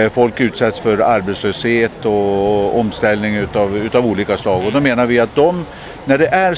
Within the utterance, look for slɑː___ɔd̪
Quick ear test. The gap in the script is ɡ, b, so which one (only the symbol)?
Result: ɡ